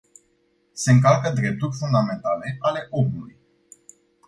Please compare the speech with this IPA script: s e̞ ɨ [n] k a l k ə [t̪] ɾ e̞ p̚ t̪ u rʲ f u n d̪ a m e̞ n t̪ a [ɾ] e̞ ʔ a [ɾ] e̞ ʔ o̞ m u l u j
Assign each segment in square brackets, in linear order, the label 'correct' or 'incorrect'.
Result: incorrect: ŋ, incorrect: d̪, incorrect: l, incorrect: l

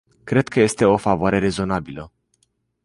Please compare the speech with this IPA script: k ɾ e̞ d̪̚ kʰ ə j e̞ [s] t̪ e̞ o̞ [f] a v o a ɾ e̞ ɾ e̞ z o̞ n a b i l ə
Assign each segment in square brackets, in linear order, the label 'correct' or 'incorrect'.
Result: correct, correct

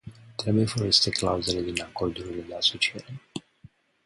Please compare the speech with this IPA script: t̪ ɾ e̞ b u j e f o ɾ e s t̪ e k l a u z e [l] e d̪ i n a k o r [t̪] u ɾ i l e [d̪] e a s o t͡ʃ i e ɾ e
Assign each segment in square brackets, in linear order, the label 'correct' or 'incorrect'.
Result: correct, incorrect: d̪, correct

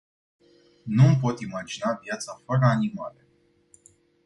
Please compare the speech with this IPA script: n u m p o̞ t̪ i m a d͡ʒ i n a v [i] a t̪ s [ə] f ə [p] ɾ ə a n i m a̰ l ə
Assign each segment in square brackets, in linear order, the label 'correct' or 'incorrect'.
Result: incorrect: j, incorrect: a, incorrect: none

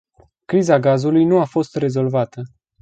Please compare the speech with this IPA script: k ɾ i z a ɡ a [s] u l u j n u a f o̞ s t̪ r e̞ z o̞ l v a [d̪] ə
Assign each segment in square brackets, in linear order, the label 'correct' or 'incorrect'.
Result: incorrect: z, incorrect: t̪

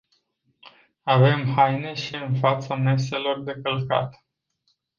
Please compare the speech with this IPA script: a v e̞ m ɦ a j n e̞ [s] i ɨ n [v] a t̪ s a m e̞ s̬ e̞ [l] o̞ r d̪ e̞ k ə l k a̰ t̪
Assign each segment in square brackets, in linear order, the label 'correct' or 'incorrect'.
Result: incorrect: ʃ, incorrect: f, correct

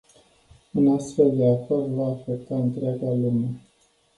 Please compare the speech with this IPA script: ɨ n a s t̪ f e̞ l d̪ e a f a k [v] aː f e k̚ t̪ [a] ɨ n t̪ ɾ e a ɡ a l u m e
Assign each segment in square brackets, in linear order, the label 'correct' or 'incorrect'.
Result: correct, correct

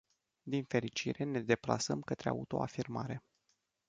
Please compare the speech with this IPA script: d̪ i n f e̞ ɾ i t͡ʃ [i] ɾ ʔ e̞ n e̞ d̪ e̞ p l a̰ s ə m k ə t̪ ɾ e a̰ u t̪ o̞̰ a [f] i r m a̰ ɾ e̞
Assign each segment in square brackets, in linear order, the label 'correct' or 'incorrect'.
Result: correct, correct

